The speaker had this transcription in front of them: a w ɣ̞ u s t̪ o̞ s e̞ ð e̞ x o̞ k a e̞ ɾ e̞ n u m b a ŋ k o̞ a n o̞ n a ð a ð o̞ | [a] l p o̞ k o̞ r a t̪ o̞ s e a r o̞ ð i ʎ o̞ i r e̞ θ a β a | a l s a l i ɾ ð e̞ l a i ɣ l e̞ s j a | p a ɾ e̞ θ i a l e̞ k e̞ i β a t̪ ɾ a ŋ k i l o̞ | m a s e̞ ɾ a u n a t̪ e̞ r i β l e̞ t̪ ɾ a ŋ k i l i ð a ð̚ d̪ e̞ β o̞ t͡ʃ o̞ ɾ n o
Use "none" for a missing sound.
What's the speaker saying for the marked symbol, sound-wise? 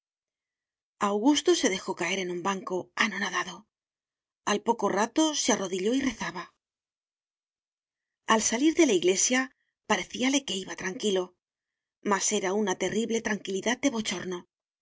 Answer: a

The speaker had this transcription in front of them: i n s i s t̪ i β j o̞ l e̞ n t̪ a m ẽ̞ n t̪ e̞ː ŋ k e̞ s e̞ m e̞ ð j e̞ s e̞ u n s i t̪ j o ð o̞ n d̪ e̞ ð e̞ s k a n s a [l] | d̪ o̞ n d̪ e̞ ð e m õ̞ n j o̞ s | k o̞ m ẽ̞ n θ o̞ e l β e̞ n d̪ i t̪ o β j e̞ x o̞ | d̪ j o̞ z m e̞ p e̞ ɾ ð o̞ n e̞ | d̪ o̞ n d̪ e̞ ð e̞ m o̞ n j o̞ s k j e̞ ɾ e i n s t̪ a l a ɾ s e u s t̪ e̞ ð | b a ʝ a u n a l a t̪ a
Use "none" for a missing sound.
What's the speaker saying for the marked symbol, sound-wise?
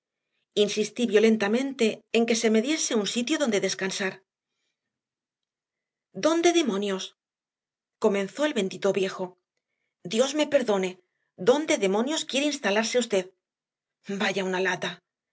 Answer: ɾ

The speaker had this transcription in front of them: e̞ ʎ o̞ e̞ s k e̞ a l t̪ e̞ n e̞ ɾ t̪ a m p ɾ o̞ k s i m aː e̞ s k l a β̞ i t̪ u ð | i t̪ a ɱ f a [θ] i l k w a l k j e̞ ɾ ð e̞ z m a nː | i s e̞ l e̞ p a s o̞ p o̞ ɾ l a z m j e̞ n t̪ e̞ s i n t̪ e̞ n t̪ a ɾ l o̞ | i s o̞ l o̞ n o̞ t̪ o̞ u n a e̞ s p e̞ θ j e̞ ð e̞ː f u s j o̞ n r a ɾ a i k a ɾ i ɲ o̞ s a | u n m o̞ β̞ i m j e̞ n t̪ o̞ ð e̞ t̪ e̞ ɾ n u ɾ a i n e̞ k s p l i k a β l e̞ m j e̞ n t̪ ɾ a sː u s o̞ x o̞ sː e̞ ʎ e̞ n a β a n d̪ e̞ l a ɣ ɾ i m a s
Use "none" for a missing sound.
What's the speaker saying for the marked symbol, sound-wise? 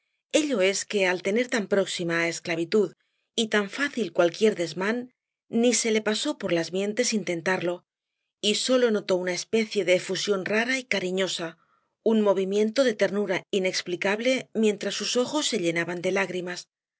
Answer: θ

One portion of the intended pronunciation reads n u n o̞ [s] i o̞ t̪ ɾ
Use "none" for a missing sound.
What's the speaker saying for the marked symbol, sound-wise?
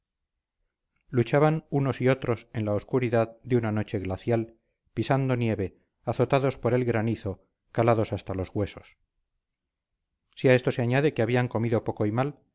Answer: s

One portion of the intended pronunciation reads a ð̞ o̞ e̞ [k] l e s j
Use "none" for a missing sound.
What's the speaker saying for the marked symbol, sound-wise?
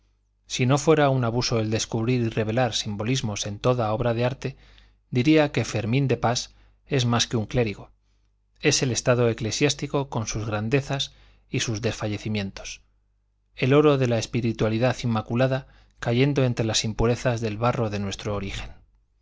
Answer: k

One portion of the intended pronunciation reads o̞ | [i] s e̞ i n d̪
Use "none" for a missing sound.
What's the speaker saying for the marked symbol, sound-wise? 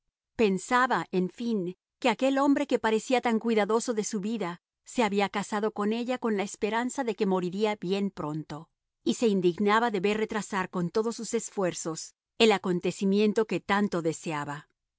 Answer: i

